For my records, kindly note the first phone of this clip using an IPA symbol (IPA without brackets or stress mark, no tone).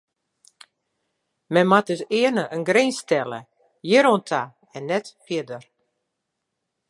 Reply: m